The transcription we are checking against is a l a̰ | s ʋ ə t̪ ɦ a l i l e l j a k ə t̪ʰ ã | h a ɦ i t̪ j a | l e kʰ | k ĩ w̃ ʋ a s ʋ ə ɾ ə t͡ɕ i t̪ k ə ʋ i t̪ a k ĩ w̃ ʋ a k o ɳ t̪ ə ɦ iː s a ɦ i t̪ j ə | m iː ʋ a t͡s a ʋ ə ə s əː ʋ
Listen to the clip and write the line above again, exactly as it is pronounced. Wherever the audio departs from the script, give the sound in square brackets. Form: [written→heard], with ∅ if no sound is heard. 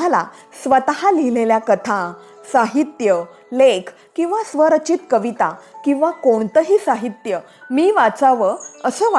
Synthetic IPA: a l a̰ | s ʋ ə t̪ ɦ a l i l e l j a k ə t̪ʰ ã | [h→s] a ɦ i t̪ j [a→ə] | l e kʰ | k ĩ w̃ ʋ a s ʋ ə ɾ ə t͡ɕ i t̪ k ə ʋ i t̪ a k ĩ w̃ ʋ a k o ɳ t̪ ə ɦ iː s a ɦ i t̪ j ə | m iː ʋ a t͡s a ʋ ə ə s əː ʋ